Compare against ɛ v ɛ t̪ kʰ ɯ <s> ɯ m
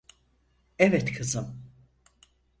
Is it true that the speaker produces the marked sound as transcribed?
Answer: no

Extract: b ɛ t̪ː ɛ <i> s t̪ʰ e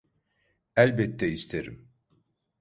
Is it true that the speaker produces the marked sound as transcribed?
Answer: yes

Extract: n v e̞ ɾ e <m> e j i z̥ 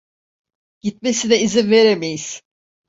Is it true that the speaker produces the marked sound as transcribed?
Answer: yes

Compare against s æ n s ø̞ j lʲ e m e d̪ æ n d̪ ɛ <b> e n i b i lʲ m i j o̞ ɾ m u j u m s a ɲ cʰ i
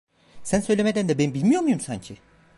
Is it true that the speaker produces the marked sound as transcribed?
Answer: yes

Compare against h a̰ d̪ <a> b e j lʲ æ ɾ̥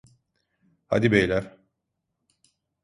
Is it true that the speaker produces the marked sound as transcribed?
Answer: no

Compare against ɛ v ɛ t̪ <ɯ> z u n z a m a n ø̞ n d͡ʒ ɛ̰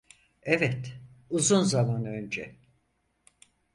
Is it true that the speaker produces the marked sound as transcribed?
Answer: no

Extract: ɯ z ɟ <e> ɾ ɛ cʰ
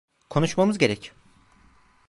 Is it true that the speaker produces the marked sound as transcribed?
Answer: yes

